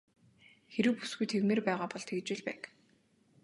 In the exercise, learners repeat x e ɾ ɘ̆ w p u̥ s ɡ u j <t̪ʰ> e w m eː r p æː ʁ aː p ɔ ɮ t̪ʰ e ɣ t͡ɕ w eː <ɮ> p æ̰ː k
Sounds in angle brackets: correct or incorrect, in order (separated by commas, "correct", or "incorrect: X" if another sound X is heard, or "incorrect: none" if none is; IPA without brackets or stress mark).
correct, correct